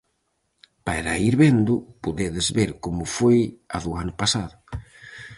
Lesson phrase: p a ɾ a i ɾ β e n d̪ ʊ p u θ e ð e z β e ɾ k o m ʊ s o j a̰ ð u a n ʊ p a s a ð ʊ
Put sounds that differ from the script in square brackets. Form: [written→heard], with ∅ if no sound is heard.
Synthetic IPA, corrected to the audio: p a ɾ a i ɾ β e n d̪ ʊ p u [θ→ð] e ð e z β e ɾ k o m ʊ [s→f] o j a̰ ð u a n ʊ p a s a ð ʊ